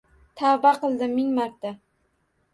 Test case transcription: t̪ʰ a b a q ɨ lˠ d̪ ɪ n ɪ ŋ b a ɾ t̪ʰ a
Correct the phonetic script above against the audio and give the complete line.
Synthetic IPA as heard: t̪ʰ a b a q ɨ lˠ d̪ ɪ m ɪ ŋ m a ɾ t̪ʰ a